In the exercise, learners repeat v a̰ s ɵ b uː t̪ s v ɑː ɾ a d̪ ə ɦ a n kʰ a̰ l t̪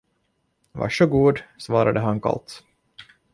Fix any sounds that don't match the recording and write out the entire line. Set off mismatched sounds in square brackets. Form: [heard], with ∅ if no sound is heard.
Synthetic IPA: v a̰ [ʂ] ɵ [ɡ] uː [d̪] s v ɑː ɾ a d̪ ə ɦ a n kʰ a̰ l t̪